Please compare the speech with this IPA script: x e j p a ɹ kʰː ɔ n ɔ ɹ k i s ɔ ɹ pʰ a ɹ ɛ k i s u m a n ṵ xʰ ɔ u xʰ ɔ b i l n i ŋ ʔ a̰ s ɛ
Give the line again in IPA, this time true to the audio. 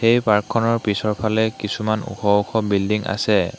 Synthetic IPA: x e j p a ɹ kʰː ɔ n ɔ ɹ p i s ɔ ɹ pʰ a l ɛ k i s u m a n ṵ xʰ ɔ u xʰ ɔ b i l d i ŋ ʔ a̰ s ɛ